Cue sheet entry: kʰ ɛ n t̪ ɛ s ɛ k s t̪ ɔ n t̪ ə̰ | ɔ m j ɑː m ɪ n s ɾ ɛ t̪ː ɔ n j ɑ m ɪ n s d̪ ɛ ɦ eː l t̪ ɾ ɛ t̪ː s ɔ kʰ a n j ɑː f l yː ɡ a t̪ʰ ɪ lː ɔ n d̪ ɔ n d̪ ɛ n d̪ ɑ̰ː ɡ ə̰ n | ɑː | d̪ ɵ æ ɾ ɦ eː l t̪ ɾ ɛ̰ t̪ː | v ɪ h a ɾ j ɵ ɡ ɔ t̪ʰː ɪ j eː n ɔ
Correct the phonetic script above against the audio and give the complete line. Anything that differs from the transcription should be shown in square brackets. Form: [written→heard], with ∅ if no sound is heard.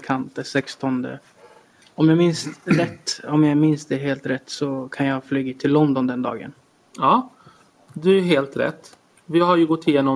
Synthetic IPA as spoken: kʰ [ɛ→a] n t̪ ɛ s ɛ k s t̪ ɔ n [t̪→d̪] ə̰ | ɔ m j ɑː m ɪ n s ɾ ɛ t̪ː ɔ [n→m] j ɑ m ɪ n s d̪ ɛ ɦ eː l t̪ ɾ ɛ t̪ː s ɔ kʰ a n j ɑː f l yː ɡ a t̪ʰ ɪ lː ɔ n d̪ ɔ n d̪ ɛ n d̪ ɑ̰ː ɡ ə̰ n | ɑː | d̪ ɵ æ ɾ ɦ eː l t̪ ɾ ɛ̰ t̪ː | v ɪ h a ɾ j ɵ ɡ ɔ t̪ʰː ɪ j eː n ɔ